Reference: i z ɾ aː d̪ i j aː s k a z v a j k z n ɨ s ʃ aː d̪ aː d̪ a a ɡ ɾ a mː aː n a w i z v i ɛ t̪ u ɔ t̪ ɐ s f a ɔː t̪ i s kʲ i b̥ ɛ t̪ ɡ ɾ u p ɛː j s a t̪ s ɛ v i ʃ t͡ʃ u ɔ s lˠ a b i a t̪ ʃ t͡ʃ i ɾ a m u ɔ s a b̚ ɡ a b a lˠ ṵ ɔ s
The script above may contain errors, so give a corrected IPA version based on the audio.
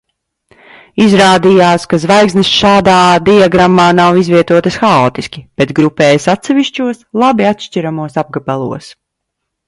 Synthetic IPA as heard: i z ɾ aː d̪ i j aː s k a z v a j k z n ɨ s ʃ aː d̪ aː d̪ i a ɡ ɾ a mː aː n a w i z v i ɛ t̪ u ɔ t̪ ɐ s x a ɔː t̪ i s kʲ i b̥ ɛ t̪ ɡ ɾ u p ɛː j s a t̪ s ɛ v i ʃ t͡ʃ u ɔ s lˠ a b i a t̪ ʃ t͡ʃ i ɾ a m u ɔ s a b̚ ɡ a b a lˠ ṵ ɔ s